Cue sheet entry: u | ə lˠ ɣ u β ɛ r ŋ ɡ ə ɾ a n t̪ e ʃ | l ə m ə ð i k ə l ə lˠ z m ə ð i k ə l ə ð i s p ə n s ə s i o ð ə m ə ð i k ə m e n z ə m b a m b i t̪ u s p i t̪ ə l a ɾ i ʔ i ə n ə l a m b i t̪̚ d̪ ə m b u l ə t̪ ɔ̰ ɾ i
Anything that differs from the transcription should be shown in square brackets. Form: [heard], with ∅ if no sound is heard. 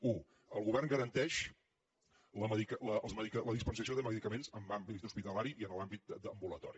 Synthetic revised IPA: u | ə lˠ ɣ u β ɛ r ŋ ɡ ə ɾ [ə] n t̪ [ɛ] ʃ | l ə m ə ð i k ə l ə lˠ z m ə ð i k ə l ə ð i s p ə n s ə s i o ð ə m ə ð i k ə m e n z ə m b a m b i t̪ u s p i t̪ ə l a ɾ i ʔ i ə n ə l a m b i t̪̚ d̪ ə m b u l ə t̪ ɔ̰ ɾ i